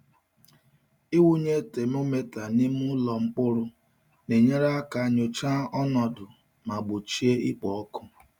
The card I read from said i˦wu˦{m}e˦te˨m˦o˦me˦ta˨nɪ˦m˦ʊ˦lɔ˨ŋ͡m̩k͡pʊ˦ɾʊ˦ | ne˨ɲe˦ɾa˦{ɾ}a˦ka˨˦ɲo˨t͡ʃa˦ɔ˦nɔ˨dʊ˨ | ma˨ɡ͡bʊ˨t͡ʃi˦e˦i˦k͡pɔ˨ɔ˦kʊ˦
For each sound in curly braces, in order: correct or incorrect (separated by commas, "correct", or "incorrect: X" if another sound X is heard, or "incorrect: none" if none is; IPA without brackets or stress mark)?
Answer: incorrect: ɲ, incorrect: none